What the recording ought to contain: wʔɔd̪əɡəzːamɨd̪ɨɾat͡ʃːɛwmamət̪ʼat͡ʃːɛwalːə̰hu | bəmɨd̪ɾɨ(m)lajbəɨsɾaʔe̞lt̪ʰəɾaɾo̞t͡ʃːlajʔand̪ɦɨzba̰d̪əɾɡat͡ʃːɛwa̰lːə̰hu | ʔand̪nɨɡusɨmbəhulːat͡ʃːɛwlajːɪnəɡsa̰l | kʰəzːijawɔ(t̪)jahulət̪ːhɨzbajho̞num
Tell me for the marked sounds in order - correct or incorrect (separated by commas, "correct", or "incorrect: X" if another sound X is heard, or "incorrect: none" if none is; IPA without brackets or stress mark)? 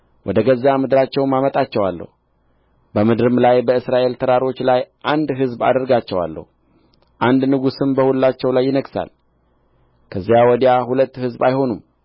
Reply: correct, incorrect: d̪